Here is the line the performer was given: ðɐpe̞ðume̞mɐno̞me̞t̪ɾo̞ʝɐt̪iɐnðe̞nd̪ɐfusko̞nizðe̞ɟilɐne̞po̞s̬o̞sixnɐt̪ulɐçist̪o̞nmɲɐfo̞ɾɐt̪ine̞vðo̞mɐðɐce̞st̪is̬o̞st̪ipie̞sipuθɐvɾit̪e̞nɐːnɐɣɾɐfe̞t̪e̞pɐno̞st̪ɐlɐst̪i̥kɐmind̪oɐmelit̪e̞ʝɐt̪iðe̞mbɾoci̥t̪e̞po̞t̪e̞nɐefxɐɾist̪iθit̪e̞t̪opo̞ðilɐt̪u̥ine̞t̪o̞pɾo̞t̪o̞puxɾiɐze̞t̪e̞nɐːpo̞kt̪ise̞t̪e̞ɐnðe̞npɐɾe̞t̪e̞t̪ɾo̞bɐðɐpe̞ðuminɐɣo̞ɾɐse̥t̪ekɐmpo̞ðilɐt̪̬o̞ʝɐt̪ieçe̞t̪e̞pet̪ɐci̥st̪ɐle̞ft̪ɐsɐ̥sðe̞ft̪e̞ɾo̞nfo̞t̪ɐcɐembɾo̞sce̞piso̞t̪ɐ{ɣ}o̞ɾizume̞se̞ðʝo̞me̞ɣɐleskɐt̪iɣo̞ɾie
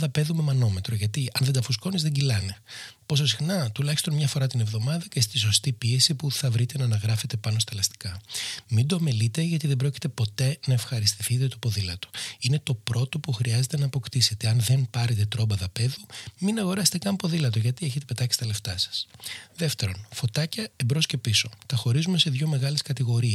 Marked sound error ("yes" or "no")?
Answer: yes